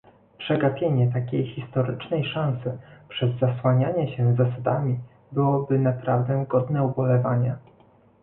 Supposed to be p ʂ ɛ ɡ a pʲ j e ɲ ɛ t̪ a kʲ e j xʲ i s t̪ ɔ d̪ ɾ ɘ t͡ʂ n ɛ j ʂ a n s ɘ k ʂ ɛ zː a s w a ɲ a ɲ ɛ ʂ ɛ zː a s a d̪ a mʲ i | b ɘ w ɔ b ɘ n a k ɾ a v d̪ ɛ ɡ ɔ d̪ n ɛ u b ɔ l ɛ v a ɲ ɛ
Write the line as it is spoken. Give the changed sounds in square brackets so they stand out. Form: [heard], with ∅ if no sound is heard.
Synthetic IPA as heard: p ʂ ɛ ɡ a pʲ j e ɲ ɛ t̪ a kʲ e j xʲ i s t̪ ɔ [∅] ɾ ɘ t͡ʂ n ɛ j ʂ a n s ɘ [p] ʂ ɛ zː a s w a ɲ a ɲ ɛ [ɕ] ɛ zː a s a d̪ a mʲ i | b ɘ w ɔ b ɘ n a [p] ɾ a v d̪ ɛ ɡ ɔ d̪ n ɛ u b ɔ l ɛ v a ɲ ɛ